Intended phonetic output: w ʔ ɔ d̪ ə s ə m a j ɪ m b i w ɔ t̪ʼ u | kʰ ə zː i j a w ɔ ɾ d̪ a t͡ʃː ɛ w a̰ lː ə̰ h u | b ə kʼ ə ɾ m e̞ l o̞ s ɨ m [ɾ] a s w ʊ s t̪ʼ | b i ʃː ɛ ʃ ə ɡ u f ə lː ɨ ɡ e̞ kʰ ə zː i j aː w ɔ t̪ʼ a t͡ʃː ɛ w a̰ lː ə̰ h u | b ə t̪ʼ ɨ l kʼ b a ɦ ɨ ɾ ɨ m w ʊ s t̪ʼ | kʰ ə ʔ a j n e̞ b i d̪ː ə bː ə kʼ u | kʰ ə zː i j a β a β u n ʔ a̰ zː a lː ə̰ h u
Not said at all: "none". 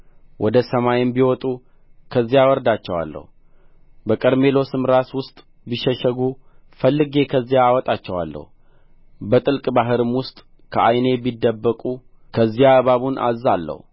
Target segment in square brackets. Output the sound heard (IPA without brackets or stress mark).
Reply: ɾ